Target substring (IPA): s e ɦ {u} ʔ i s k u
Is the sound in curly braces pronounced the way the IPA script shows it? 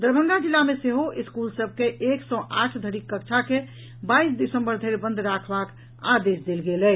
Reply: no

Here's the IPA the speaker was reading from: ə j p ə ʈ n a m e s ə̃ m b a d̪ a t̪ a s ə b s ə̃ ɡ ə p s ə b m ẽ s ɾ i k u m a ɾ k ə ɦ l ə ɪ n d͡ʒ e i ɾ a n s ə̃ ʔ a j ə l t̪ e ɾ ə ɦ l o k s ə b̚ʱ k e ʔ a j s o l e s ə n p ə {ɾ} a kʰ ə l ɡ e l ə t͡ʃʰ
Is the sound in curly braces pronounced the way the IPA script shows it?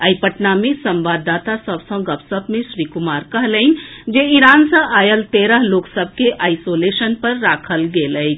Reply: no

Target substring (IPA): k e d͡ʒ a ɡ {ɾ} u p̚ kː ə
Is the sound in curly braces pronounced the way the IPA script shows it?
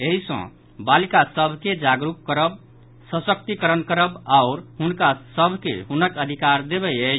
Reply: yes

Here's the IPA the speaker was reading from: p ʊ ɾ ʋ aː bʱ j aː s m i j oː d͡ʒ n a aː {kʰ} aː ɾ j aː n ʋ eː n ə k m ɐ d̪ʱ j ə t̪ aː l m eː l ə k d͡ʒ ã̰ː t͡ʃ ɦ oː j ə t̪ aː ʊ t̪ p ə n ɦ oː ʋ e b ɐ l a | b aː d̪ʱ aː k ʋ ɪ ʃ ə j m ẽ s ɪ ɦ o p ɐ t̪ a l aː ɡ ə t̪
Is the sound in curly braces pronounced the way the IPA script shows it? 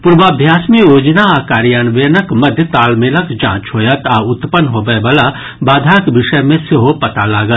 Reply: no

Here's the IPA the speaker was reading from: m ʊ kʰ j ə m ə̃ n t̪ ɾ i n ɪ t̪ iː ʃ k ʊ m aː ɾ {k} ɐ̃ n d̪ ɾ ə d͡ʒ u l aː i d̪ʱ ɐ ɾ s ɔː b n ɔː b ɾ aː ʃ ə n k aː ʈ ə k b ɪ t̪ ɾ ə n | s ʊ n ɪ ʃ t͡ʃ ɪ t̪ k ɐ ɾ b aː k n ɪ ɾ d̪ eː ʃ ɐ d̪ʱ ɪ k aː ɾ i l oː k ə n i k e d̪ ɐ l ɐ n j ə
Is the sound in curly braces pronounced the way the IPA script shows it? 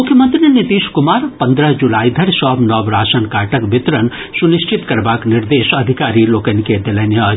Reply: no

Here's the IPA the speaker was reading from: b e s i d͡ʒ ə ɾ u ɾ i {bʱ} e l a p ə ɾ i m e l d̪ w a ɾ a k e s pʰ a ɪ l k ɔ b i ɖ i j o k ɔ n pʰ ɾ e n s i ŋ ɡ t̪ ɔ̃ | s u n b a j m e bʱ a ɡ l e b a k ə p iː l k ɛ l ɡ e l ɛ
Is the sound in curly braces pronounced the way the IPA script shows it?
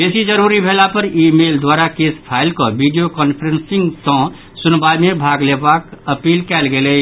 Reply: yes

